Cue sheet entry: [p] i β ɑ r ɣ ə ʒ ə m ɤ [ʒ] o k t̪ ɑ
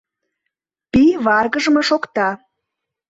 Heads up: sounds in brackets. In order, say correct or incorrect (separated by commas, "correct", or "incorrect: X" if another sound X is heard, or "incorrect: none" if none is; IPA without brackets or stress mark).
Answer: correct, incorrect: ʃ